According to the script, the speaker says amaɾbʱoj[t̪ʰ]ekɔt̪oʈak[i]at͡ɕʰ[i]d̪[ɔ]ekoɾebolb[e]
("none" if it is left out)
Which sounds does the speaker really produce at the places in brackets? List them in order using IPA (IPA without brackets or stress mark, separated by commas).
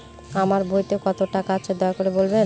t̪, a, e, ɔ, e